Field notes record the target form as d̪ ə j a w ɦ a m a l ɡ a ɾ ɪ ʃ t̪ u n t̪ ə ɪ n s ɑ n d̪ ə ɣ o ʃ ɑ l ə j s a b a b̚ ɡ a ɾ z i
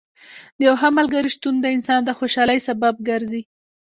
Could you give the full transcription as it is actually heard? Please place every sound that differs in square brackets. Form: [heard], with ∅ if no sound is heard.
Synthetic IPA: d̪ ə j a w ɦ a m a l ɡ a ɾ [i] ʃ t̪ u n [d̪] ə ɪ n s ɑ n d̪ ə [x] o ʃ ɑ l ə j s a b a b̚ ɡ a ɾ z i

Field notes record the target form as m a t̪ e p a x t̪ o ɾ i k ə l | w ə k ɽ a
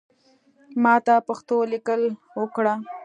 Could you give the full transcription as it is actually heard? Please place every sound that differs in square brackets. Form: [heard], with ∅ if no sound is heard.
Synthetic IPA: m [ɑ] t̪ [a] p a x t̪ o [l] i k ə l | w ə k ɽ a

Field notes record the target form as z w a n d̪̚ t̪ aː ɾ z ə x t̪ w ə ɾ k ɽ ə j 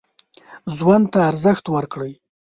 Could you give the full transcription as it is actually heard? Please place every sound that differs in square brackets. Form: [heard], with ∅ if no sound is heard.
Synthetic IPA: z w a n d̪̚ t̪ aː ɾ z ə x t̪ w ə ɾ k ɽ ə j

